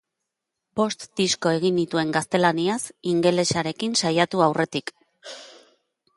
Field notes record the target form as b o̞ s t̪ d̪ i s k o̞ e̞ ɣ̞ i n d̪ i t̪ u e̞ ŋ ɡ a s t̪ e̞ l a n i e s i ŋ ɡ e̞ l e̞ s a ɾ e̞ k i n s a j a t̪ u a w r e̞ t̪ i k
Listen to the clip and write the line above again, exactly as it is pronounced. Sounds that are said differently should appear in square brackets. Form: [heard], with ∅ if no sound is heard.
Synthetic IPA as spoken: b o̞ s t̪ d̪ i s k o̞ e̞ ɣ̞ i n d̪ i t̪ u e̞ ŋ ɡ a s t̪ e̞ l a n i [a] s i ŋ ɡ e̞ l e̞ s a ɾ e̞ k i n s a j a t̪ u a w r e̞ t̪ i k